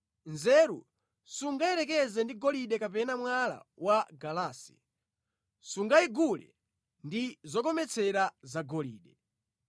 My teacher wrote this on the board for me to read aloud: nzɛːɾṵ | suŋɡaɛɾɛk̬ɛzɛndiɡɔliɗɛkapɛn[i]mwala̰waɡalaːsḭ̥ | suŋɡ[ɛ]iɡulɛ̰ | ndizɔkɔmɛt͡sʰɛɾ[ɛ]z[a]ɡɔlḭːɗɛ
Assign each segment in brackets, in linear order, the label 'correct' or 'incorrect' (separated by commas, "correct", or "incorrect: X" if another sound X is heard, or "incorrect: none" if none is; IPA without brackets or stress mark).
incorrect: a, incorrect: a, incorrect: a, correct